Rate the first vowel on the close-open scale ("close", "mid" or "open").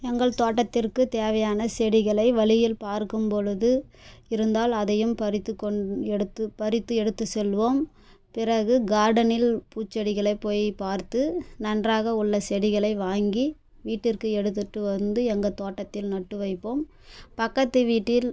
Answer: mid